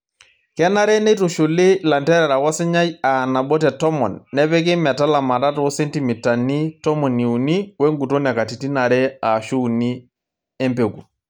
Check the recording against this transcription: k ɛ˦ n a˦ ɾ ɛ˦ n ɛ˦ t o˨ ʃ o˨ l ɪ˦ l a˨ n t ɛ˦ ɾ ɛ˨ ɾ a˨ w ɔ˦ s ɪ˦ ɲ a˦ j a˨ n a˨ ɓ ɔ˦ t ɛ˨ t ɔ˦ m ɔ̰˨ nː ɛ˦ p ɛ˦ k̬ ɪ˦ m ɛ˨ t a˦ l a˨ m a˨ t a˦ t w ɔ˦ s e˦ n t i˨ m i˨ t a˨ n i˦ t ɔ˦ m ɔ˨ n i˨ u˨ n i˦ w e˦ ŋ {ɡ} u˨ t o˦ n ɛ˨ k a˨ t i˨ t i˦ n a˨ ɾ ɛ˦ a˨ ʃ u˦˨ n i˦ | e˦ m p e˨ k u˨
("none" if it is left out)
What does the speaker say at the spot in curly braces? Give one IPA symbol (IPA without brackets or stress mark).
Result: ɡ